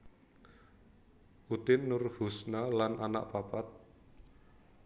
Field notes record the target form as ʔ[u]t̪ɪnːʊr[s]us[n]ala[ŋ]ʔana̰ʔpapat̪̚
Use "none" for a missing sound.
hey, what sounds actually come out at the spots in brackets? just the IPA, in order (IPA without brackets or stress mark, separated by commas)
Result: u, h, n, n